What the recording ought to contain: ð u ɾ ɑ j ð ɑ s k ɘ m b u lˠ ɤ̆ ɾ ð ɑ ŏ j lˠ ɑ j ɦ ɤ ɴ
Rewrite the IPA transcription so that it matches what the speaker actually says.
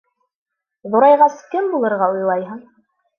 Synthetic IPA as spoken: ð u ɾ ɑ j ʁ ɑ s k ɘ m b u lˠ ɤ̆ ɾ ʁ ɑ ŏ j lˠ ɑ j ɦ ɤ ɴ